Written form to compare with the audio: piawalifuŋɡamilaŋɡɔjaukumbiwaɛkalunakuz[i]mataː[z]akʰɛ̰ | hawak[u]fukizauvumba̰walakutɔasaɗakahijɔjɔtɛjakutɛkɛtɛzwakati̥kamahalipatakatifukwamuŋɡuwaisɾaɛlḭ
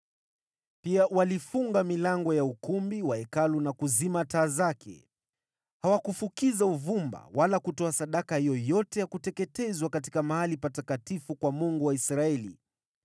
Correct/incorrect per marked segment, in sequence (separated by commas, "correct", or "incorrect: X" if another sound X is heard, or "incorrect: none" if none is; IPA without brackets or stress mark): correct, correct, correct